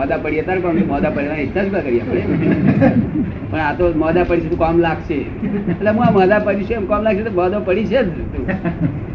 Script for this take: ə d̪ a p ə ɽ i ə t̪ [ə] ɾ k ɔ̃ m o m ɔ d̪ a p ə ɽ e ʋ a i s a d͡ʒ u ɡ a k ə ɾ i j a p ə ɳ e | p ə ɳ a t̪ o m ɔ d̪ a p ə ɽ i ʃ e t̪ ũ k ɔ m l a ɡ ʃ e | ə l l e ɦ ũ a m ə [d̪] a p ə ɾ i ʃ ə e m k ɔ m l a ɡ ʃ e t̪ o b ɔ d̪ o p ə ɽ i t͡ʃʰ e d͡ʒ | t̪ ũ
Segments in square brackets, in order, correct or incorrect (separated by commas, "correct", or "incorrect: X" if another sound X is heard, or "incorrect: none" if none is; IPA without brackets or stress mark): incorrect: a, correct